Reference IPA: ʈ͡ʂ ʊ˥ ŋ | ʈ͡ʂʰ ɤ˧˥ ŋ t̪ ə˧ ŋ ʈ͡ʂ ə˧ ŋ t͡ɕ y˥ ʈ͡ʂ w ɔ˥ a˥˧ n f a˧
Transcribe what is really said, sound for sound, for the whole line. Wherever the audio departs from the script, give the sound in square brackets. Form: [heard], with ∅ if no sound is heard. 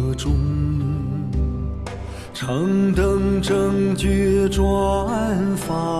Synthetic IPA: ʈ͡ʂ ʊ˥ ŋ | ʈ͡ʂʰ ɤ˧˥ ŋ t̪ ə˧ ŋ ʈ͡ʂ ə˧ ŋ t͡ɕ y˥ ʈ͡ʂ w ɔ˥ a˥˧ n f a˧